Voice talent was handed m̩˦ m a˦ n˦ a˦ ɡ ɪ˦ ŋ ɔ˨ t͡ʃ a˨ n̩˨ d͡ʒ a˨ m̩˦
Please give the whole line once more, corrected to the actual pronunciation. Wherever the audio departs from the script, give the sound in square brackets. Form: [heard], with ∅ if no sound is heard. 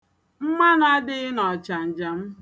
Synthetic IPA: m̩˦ m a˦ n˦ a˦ [d] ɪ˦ [n] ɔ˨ t͡ʃ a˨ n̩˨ d͡ʒ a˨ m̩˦

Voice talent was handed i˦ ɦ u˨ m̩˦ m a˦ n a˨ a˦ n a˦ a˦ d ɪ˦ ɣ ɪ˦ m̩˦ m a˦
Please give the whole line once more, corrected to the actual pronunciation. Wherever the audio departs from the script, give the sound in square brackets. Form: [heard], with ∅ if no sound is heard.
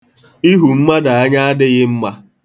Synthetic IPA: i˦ ɦ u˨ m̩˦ m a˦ [d] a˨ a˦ [ɲ] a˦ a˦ d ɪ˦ ɣ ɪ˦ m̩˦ m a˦

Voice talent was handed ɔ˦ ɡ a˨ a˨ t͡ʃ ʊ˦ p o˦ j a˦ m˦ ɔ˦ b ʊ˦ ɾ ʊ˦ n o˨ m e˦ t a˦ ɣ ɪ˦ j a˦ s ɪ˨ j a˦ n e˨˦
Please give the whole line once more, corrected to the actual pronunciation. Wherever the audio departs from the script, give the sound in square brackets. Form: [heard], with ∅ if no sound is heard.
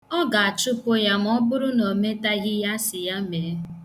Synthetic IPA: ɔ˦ ɡ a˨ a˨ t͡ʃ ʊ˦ p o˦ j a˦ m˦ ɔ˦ b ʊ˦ ɾ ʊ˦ n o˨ m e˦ t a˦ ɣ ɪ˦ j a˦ s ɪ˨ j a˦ [m] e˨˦

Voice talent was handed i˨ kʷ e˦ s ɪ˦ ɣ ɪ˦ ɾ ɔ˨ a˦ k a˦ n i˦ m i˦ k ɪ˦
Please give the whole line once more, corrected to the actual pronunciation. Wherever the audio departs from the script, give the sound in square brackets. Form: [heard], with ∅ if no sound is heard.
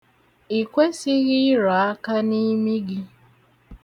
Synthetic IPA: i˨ kʷ e˦ s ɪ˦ ɣ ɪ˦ ɾ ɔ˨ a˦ k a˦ n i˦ m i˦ [ɡ] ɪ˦

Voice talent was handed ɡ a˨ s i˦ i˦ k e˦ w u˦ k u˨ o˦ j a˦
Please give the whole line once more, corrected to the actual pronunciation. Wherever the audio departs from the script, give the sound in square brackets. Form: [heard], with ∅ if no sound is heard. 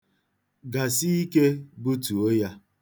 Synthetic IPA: ɡ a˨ s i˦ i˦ k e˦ [b] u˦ [t] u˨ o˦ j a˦

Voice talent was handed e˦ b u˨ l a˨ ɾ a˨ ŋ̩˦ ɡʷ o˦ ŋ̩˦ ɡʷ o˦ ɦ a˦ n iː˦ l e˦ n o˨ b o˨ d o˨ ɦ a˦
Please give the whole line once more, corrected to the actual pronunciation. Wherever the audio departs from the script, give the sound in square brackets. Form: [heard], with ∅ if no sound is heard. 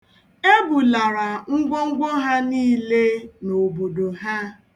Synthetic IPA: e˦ b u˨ l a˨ ɾ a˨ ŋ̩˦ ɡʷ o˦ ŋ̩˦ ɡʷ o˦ ɦ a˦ n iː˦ l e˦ n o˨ b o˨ d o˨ ɦ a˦

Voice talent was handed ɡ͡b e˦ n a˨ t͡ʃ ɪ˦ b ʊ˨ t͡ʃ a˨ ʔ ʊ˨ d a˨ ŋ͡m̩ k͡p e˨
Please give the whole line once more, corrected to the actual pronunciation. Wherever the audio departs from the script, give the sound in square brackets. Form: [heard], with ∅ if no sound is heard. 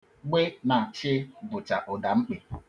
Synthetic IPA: ɡ͡b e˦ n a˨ t͡ʃ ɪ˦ b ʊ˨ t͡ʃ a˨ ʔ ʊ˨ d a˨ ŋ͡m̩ k͡p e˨

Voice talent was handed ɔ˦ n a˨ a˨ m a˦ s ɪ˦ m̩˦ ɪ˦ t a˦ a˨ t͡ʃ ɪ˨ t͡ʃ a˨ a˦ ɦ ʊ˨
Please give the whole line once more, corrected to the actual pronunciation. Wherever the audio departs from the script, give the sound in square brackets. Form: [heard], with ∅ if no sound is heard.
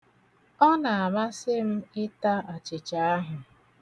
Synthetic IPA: ɔ˦ n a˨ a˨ m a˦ s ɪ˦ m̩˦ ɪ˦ t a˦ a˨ t͡ʃ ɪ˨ t͡ʃ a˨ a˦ ɦ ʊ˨

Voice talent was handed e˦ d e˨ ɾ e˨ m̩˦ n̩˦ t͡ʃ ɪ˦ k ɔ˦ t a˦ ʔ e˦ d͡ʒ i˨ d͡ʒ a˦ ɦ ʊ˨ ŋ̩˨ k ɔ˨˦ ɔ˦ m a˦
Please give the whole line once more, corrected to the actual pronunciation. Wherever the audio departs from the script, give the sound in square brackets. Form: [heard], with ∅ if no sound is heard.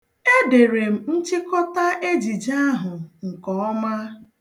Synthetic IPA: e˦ d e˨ ɾ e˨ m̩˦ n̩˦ t͡ʃ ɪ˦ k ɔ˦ t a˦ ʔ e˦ d͡ʒ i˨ d͡ʒ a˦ ɦ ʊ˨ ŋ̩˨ k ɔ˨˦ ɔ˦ m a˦

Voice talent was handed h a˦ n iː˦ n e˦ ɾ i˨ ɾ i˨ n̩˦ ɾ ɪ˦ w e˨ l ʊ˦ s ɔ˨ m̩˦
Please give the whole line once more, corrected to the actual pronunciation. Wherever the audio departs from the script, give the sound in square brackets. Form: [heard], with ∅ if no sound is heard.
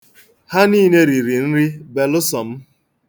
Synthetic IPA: h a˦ n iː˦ n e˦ ɾ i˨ ɾ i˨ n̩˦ ɾ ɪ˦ [b] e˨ l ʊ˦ s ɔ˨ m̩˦

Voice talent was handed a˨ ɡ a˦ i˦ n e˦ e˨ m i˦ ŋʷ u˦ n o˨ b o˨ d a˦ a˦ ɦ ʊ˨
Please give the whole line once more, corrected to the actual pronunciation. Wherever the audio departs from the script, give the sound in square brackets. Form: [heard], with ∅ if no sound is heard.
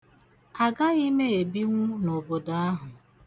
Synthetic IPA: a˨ ɡ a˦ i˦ [m] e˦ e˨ [b] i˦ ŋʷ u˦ n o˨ b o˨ d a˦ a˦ ɦ ʊ˨

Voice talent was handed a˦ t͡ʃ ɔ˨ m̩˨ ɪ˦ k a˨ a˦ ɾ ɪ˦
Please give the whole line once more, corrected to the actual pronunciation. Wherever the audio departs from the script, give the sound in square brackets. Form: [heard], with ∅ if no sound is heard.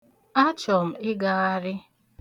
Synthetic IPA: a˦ t͡ʃ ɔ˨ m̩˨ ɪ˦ [ɡ] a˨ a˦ ɾ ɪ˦

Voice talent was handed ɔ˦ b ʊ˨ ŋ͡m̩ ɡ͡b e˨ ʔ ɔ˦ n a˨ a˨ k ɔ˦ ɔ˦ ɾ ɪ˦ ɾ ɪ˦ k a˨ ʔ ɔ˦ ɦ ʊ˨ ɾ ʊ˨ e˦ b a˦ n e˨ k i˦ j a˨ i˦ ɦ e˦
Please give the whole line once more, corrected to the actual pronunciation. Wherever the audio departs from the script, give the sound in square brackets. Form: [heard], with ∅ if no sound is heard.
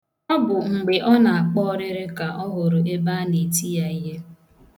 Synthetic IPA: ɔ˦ b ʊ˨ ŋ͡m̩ ɡ͡b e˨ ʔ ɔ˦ n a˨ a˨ [k͡p] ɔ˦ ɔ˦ ɾ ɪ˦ ɾ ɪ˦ k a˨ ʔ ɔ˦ ɦ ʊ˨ ɾ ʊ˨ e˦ b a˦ n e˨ [t] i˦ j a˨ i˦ ɦ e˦

